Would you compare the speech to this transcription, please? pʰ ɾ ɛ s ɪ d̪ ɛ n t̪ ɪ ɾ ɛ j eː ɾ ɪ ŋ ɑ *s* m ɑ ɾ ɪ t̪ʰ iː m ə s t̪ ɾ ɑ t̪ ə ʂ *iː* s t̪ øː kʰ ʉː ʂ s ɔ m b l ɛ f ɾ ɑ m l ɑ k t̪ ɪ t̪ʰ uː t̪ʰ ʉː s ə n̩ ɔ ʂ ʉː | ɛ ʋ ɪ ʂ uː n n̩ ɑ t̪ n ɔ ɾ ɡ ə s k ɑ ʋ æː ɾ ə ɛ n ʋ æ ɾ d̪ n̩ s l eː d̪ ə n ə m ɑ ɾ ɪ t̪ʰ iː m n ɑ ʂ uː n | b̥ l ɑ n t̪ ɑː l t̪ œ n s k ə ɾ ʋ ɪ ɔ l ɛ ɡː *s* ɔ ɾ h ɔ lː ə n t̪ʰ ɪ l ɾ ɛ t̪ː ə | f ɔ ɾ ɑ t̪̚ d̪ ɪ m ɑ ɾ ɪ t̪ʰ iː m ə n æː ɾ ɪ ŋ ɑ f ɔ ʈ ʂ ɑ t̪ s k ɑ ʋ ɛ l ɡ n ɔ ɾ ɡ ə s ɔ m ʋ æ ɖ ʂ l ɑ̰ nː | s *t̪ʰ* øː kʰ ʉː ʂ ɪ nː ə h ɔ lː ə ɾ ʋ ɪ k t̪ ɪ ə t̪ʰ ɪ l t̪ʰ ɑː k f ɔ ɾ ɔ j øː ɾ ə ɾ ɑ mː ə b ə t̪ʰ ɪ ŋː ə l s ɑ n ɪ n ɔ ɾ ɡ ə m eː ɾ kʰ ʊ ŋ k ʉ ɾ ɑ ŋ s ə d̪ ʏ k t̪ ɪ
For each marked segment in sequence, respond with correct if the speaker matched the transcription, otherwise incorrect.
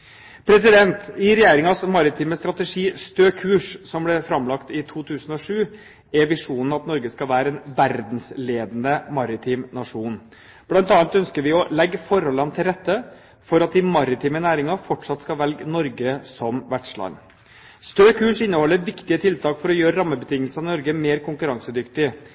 correct, correct, incorrect, incorrect

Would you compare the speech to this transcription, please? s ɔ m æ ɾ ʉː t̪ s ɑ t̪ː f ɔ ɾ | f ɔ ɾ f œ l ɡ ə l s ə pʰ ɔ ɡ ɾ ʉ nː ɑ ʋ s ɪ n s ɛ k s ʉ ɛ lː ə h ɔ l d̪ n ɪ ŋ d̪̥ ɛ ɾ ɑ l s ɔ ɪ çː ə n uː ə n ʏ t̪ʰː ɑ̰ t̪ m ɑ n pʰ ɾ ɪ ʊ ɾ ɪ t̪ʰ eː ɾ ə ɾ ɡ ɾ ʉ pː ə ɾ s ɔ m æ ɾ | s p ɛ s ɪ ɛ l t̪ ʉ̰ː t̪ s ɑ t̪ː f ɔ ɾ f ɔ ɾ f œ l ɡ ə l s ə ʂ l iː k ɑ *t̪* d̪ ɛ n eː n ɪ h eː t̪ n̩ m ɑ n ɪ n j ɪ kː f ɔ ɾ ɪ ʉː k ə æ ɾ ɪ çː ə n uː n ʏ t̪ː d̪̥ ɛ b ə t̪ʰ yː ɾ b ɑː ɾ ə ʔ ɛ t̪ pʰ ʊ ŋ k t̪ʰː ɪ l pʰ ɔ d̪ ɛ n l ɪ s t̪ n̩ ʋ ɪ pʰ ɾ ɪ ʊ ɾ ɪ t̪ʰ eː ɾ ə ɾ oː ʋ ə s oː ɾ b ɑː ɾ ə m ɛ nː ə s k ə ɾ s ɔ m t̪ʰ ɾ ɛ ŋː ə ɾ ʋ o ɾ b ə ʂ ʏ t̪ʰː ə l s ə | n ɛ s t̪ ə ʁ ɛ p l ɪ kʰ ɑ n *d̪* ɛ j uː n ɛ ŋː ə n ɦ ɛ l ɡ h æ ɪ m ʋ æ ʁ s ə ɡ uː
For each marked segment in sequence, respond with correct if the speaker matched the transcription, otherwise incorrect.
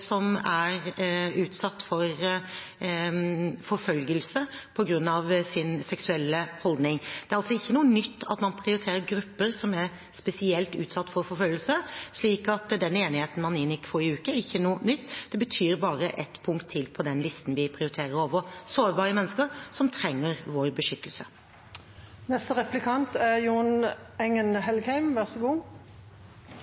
correct, incorrect

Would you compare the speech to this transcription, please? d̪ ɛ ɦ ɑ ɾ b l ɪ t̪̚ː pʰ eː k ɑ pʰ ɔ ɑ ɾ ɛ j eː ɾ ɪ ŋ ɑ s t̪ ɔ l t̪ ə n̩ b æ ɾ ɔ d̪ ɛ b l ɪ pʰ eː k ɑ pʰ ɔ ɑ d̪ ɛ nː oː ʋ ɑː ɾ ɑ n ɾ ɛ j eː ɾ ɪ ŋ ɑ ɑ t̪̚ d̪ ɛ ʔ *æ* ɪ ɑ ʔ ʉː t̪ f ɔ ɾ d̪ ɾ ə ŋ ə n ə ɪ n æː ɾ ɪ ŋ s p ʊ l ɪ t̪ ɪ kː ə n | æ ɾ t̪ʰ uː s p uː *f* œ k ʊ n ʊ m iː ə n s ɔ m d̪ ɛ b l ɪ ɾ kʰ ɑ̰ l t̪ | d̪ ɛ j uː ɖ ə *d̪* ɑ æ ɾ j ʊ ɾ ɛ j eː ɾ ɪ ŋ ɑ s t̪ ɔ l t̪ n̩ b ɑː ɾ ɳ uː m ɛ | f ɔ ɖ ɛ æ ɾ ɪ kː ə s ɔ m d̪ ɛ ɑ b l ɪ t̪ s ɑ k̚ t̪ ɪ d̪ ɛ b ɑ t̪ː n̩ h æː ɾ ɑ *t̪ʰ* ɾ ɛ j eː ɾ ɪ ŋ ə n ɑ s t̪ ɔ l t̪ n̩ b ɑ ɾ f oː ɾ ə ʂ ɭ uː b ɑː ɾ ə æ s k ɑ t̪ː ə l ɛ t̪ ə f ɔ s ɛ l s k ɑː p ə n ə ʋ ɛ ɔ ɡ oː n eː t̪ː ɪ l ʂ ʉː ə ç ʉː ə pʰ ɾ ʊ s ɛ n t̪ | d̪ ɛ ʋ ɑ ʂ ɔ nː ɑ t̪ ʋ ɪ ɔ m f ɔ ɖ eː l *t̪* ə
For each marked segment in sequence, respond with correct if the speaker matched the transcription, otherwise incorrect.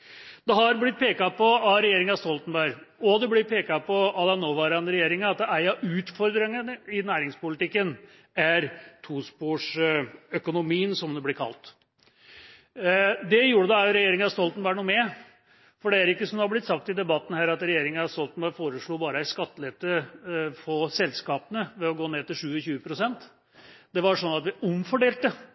correct, incorrect, correct, incorrect, correct

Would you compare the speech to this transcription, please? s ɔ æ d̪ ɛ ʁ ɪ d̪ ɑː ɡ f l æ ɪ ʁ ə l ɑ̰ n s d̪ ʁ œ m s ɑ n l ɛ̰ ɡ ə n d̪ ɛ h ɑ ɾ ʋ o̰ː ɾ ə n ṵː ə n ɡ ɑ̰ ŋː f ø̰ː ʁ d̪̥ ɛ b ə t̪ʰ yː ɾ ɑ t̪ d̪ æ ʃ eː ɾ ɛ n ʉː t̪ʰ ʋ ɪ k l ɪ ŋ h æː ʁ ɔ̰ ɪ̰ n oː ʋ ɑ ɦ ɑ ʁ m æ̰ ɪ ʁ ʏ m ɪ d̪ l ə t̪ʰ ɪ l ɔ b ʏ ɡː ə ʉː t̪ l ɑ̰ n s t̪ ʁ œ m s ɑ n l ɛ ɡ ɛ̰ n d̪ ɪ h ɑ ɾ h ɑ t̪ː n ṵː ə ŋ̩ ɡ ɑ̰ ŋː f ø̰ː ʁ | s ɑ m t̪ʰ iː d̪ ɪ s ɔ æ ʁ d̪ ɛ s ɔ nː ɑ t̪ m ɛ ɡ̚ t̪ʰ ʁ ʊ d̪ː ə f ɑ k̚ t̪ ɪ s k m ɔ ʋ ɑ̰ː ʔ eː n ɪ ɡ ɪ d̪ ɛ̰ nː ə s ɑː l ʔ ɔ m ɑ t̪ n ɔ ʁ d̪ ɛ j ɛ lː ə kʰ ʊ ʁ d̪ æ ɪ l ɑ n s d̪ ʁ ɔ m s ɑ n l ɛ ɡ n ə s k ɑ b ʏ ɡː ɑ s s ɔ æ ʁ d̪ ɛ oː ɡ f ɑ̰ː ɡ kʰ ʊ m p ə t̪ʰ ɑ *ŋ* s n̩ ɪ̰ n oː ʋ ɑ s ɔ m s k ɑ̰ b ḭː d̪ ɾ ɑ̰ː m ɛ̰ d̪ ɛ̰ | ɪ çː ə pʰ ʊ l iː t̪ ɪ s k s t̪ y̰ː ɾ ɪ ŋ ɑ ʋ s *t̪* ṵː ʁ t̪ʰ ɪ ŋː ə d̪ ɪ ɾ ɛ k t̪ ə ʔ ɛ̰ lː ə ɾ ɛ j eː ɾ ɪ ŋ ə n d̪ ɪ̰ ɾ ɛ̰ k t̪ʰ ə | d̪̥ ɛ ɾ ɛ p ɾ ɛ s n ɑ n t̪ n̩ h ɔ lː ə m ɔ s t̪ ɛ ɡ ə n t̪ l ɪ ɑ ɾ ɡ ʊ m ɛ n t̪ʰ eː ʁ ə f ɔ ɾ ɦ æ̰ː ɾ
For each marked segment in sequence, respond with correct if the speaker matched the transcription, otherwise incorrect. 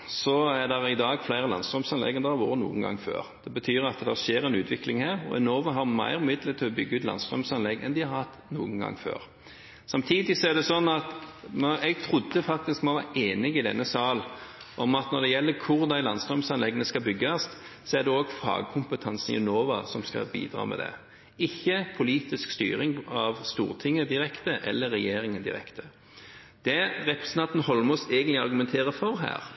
incorrect, correct

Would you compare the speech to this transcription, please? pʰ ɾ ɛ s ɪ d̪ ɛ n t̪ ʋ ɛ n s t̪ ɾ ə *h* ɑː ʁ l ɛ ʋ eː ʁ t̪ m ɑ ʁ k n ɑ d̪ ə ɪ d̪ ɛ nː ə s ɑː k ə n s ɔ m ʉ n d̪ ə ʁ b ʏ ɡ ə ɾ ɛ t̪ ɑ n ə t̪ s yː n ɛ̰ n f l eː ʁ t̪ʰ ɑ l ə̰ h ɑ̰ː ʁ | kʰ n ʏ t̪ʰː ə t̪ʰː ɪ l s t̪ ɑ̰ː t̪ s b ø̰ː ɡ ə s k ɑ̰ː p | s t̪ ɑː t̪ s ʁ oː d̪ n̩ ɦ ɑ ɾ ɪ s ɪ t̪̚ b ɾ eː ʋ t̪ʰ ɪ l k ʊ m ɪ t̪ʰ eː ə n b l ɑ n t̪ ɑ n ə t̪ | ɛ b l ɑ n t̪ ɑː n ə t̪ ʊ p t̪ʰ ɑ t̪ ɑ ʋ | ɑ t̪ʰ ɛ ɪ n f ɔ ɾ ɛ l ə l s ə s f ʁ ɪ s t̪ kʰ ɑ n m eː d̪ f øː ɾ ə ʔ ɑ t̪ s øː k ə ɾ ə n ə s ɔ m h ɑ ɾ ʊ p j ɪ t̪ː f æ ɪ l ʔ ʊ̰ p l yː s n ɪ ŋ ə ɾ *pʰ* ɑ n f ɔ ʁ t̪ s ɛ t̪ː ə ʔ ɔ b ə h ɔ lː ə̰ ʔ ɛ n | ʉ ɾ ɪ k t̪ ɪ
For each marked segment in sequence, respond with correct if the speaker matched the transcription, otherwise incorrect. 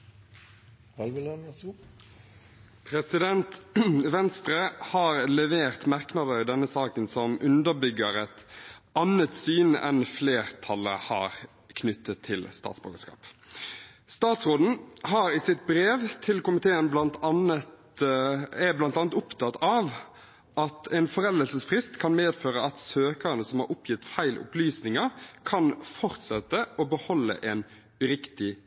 correct, incorrect

